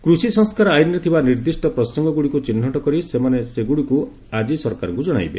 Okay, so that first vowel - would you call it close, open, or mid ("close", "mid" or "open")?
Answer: close